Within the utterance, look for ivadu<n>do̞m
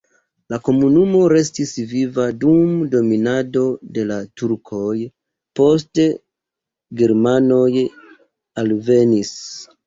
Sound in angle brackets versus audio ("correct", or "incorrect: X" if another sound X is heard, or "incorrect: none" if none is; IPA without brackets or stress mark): incorrect: m